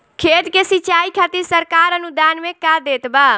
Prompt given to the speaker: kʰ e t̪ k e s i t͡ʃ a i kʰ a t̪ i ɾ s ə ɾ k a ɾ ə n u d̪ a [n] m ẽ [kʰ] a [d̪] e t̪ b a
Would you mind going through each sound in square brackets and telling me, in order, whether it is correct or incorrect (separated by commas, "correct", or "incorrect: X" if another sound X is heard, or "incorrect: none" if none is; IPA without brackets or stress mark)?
correct, incorrect: k, correct